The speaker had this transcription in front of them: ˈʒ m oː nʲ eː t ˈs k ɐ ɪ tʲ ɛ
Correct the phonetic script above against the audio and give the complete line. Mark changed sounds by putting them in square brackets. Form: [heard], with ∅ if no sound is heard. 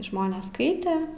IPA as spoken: ˈʒ m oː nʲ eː [s] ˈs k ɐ ɪ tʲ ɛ